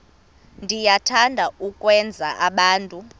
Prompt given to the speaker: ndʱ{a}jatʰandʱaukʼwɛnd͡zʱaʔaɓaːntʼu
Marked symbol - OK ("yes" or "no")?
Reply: no